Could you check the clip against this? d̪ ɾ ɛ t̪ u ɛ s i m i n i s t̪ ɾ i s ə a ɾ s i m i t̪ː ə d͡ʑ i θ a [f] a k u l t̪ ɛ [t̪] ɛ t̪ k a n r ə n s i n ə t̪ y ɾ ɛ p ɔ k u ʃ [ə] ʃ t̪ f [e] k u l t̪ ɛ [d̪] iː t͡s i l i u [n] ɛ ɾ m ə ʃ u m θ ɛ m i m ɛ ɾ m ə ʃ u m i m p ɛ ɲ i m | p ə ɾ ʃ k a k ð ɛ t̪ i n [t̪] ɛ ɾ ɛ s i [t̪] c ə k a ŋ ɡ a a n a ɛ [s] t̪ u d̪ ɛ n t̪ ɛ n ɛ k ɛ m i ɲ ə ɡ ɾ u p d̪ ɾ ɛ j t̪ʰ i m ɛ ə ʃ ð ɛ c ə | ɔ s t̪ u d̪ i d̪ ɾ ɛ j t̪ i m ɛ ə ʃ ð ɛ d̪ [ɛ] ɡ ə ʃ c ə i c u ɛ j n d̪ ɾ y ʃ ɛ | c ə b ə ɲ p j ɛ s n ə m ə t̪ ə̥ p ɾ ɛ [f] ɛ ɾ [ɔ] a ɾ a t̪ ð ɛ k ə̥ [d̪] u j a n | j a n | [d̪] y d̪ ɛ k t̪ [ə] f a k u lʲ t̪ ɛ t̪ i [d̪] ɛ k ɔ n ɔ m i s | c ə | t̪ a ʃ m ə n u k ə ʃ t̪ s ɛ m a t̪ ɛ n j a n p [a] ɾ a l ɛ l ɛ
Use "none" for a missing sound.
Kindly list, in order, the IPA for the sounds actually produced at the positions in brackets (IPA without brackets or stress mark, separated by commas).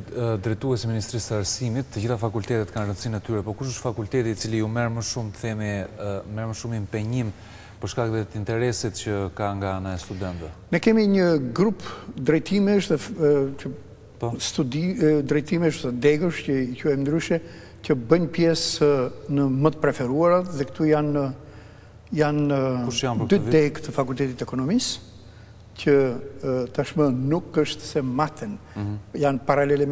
f, t̪, ə, a, t̪, m, t̪, t̪, s, ɛ, f, u, t̪, d̪, ə, t̪, a